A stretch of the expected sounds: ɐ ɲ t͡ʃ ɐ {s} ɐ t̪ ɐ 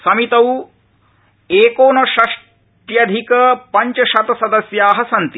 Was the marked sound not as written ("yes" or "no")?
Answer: yes